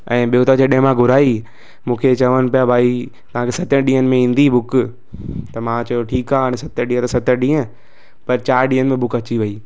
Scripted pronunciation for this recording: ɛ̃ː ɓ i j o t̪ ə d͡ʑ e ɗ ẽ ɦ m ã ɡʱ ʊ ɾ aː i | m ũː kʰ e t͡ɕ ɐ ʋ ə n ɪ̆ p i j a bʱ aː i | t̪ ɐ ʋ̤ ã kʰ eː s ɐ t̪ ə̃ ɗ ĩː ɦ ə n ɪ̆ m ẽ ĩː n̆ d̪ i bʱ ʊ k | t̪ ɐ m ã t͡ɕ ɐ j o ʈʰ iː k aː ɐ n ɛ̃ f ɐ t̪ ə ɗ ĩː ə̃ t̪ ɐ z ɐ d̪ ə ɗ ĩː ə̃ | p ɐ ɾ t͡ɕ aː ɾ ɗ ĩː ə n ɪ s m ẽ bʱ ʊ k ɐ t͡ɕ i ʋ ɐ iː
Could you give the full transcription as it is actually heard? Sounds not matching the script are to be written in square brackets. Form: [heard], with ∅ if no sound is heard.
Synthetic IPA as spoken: ɛ̃ː ɓ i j o t̪ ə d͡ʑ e ɗ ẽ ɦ m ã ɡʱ ʊ ɾ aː i | m ũː kʰ e t͡ɕ ɐ ʋ ə n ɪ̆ p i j a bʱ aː i | t̪ ɐ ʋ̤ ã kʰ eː s ɐ t̪ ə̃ ɗ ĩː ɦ ə n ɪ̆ m ẽ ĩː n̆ d̪ i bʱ ʊ k | t̪ ɐ m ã t͡ɕ ɐ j o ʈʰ iː k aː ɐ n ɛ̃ [s] ɐ t̪ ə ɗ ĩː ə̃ t̪ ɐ [s] ɐ [t̪] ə ɗ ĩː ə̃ | p ɐ ɾ t͡ɕ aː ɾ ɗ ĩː ə n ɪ [∅] m ẽ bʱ ʊ k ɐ t͡ɕ i ʋ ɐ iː